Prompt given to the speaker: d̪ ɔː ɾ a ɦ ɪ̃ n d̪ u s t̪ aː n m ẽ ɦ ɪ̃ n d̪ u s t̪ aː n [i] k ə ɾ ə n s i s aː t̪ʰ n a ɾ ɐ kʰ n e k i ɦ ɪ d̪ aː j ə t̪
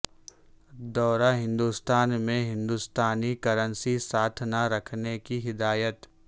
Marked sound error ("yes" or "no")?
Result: no